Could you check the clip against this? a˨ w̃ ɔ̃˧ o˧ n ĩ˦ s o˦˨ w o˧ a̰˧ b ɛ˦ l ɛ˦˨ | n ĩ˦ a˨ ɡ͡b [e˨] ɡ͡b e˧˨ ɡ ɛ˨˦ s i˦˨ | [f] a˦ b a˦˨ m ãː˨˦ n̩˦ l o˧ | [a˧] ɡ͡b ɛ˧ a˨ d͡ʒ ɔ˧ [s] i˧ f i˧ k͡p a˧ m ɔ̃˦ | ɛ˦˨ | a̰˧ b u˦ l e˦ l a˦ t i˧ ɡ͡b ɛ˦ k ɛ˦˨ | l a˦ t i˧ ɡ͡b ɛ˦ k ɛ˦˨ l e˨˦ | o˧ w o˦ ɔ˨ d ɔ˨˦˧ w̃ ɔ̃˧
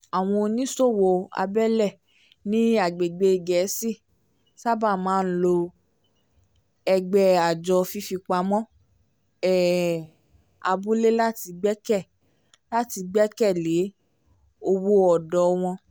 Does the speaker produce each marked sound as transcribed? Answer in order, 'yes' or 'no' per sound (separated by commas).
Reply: yes, no, no, no